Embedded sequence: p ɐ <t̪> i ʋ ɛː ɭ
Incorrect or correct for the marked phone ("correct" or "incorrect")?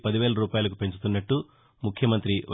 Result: incorrect